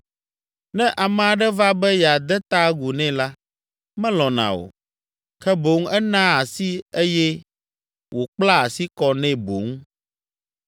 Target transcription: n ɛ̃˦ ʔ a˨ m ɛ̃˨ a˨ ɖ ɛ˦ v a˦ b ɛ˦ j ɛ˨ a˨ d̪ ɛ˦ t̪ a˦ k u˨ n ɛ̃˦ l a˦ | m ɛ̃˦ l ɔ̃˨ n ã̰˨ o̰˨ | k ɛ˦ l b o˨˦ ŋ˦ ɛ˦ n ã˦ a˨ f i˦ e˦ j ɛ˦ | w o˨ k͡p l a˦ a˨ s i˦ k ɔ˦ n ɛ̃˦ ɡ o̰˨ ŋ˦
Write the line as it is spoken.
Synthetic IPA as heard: n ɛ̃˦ ʔ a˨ m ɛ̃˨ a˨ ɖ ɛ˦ v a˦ b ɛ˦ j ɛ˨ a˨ d̪ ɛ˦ t̪ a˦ ɡ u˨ n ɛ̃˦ l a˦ | m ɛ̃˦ l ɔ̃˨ n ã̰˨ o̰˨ | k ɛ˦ b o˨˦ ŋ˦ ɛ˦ n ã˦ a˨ s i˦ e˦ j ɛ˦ | w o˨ k͡p l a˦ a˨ s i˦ k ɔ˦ n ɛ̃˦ b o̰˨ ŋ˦